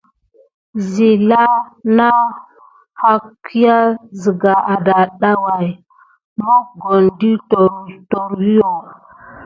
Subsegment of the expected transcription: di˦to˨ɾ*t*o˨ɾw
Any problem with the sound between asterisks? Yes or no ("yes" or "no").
no